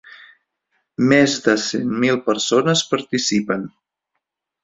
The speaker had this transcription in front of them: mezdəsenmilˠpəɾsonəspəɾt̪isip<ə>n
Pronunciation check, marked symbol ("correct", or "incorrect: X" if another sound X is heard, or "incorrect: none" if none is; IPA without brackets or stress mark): correct